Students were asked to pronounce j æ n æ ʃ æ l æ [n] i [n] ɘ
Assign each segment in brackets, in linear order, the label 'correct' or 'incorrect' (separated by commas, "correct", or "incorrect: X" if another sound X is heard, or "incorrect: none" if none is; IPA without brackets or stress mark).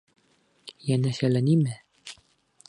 correct, incorrect: m